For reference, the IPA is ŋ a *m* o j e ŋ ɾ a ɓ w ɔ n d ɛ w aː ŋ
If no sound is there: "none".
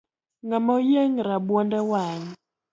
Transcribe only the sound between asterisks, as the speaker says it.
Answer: m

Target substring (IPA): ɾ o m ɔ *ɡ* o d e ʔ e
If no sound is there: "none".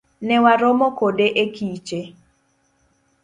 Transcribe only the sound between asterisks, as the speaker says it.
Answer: k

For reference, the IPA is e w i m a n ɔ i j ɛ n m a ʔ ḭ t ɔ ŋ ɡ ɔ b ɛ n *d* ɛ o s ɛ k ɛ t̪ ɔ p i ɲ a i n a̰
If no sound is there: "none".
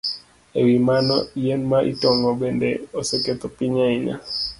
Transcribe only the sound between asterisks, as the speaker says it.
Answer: d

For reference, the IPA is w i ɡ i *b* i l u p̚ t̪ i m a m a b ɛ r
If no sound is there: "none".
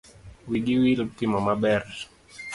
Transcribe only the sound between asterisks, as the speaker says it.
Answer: w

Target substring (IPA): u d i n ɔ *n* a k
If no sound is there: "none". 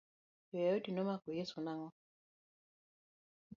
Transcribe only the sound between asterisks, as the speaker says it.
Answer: m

